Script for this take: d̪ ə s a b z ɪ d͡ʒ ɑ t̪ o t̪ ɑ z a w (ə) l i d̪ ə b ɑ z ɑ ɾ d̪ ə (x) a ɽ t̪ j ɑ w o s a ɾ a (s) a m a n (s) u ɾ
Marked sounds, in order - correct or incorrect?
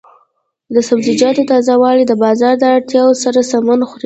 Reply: incorrect: ɑ, incorrect: none, correct, incorrect: x

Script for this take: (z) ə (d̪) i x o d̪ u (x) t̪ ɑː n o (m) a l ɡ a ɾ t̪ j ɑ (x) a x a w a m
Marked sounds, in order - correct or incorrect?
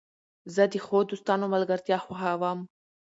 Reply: correct, correct, incorrect: s, correct, correct

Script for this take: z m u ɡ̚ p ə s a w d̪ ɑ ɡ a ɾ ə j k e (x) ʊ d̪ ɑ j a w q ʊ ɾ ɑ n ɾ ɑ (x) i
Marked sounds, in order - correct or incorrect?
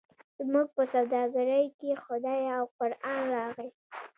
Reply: correct, incorrect: ɣ

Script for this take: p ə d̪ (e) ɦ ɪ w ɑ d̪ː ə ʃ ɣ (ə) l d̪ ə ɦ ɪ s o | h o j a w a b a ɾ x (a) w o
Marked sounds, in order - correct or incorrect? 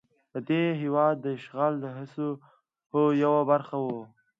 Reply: correct, incorrect: ɑ, correct

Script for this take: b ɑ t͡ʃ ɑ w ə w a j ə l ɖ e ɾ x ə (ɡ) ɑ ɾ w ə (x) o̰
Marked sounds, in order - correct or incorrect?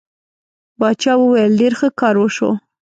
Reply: incorrect: k, incorrect: ʃ

